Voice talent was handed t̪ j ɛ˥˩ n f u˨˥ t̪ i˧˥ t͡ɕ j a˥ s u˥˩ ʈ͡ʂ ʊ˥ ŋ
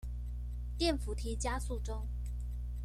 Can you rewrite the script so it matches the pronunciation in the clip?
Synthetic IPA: t̪ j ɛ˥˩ n f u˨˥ t̪ʰ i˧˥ t͡ɕ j a˥ s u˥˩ ʈ͡ʂ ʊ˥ ŋ